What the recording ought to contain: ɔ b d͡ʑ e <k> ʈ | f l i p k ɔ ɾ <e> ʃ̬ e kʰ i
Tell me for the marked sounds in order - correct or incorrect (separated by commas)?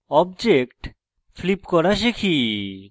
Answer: correct, incorrect